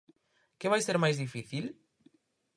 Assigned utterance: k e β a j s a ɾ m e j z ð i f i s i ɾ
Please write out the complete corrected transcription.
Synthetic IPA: k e β a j s e ɾ m a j z ð i f i θ i l